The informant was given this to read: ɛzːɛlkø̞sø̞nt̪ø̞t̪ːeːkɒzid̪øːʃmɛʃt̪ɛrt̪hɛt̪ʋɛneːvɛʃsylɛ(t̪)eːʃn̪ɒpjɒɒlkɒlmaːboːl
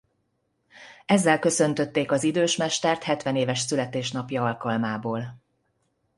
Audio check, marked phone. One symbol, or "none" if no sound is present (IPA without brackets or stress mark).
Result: t̪